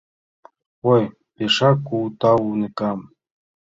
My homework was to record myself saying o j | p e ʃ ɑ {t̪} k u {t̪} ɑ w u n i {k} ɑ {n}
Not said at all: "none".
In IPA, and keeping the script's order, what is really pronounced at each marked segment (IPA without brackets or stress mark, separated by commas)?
none, t̪, k, m